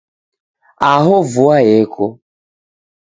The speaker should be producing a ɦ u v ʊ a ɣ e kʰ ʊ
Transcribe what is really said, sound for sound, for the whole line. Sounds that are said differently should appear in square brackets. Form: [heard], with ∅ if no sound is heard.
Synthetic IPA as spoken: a ɦ [ʊ] v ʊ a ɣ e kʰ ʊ